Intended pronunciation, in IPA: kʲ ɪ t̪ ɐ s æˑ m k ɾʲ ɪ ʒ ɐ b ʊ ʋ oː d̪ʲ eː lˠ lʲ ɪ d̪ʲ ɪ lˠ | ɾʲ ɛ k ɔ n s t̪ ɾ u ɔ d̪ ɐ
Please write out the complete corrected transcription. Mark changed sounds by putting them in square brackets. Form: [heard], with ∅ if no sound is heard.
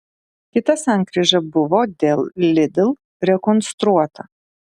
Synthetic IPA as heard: kʲ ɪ t̪ ɐ s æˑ [ŋ] k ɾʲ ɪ ʒ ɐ b ʊ ʋ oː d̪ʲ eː lˠ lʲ ɪ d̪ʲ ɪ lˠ | ɾʲ ɛ k ɔ n s t̪ ɾ u ɔ [t̪] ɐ